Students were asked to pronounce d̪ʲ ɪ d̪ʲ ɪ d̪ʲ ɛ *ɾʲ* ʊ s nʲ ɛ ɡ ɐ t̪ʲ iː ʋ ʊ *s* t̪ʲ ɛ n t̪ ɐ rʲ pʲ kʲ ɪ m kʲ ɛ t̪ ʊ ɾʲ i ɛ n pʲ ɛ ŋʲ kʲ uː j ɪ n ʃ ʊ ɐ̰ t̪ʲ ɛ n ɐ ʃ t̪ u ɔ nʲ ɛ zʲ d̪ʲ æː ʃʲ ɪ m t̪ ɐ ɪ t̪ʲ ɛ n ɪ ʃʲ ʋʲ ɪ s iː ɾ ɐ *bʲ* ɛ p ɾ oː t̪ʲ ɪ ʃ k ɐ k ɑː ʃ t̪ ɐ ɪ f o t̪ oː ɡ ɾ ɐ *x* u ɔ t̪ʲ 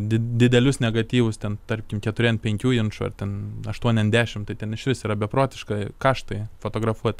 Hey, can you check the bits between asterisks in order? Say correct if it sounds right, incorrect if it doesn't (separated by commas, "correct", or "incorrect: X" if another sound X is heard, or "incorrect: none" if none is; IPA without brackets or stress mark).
incorrect: lʲ, correct, correct, incorrect: f